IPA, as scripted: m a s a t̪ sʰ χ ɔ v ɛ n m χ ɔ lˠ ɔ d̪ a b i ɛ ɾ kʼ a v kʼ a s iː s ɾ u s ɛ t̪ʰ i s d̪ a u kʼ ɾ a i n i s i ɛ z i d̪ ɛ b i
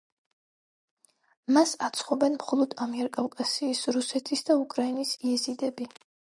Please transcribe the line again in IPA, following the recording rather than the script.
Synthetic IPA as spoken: m a s a t̪ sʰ χ ɔ b ɛ n m χ ɔ lˠ ɔ d̪ a m i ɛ ɾ kʼ a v kʼ a s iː s ɾ u s ɛ t̪ʰ i s d̪ a u kʼ ɾ a i n i s i ɛ z i d̪ ɛ b i